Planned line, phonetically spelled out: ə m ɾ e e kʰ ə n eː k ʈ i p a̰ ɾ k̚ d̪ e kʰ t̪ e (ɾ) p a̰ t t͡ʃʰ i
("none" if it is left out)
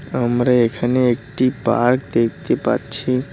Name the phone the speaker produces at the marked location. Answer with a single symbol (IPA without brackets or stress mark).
none